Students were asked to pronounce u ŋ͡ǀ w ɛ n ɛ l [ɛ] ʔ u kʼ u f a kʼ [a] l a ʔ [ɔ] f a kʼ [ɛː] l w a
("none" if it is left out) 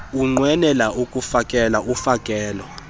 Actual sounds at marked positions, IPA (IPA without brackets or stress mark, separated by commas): a, ɛ, u, ɛː